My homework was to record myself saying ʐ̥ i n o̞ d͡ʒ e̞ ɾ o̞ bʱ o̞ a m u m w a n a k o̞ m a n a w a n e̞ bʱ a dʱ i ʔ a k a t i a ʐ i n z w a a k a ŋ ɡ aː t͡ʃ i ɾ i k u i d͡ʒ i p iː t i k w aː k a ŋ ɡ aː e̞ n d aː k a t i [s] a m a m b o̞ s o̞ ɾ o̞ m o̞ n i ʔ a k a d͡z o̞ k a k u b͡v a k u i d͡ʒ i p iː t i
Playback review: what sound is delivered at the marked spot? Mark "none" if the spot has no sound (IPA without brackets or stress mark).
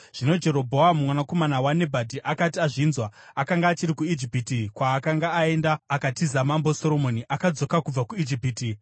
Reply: z